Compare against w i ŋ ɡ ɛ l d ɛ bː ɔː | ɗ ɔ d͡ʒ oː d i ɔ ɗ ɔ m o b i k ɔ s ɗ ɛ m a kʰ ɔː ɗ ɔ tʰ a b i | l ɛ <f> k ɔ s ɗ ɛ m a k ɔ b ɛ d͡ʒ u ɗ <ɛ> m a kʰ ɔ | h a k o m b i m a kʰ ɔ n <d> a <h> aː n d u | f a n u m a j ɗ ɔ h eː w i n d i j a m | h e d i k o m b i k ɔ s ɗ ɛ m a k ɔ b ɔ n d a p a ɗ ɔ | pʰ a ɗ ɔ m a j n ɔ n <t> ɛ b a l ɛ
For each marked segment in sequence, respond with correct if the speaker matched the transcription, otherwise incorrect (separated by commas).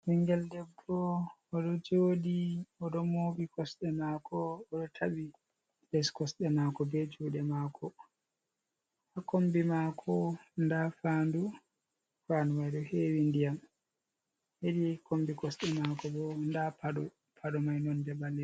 incorrect, correct, correct, incorrect, incorrect